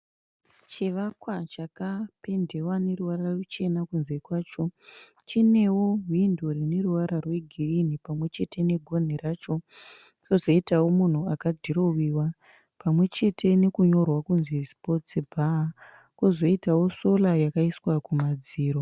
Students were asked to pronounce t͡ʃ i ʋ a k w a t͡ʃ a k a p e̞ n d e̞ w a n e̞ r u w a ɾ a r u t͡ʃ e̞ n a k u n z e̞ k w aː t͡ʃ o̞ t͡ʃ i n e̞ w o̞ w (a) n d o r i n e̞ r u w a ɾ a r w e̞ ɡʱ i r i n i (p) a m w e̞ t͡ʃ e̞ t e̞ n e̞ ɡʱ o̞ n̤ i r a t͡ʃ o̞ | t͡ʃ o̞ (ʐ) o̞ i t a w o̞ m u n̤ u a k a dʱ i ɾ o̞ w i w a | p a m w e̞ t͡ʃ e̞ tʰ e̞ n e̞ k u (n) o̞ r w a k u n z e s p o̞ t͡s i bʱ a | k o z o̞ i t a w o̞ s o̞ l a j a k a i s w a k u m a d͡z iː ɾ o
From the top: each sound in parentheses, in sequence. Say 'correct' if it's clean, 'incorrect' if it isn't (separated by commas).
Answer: incorrect, correct, incorrect, incorrect